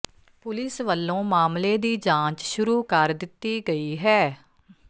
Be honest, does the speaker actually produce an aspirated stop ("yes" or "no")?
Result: no